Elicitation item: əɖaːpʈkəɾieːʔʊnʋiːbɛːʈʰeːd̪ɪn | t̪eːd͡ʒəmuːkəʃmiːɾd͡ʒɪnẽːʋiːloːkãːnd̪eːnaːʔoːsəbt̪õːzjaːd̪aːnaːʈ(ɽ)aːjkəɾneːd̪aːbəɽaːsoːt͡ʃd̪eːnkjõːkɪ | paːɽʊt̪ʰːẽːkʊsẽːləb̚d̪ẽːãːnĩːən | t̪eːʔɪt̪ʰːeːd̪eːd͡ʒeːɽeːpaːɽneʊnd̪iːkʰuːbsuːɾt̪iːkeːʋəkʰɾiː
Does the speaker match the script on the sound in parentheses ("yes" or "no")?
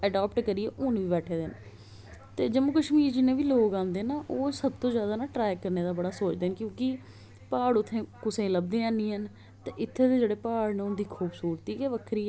no